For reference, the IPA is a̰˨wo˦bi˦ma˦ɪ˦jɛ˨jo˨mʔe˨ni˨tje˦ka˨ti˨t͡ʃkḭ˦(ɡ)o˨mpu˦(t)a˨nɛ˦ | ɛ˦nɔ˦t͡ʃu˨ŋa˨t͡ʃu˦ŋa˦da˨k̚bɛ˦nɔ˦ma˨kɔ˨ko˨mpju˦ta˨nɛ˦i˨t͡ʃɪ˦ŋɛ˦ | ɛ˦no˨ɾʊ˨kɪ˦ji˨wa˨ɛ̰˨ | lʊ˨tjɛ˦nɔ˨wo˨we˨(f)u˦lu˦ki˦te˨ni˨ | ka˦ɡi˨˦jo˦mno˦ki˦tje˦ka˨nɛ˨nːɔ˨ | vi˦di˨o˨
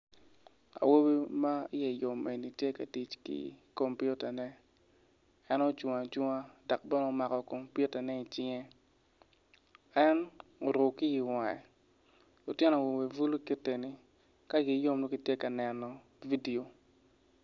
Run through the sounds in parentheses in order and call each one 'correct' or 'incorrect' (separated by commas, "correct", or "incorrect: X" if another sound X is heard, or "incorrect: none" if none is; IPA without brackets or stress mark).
incorrect: k, correct, incorrect: v